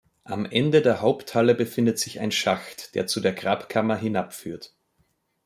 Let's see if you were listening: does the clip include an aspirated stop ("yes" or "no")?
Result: yes